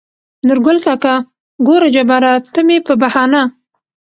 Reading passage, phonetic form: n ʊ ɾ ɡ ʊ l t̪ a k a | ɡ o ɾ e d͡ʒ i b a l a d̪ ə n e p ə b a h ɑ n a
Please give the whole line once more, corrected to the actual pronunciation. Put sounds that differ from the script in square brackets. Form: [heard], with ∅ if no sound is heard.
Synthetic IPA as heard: n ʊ ɾ ɡ ʊ l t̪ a k a | ɡ o ɾ [a] d͡ʒ [a] b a [ɾ] a [t̪] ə [m] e p ə b a h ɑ n a